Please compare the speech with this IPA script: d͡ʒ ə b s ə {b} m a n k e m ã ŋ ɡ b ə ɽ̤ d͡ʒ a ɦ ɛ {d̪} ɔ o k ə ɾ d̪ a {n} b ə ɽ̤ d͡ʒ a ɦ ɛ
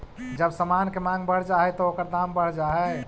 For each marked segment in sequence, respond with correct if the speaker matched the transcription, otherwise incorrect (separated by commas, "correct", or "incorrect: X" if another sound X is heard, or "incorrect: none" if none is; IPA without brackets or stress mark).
incorrect: none, incorrect: t̪, incorrect: m